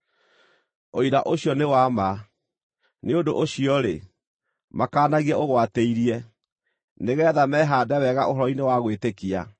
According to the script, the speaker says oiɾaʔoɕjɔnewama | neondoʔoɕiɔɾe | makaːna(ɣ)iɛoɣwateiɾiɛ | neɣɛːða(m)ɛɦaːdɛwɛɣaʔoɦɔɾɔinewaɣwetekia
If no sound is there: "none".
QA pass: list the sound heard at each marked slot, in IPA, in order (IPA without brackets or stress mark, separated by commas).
ɣ, m